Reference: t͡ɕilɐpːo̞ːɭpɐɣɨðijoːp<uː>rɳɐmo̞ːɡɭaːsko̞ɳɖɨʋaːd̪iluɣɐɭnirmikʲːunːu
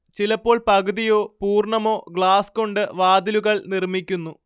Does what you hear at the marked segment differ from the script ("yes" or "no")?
no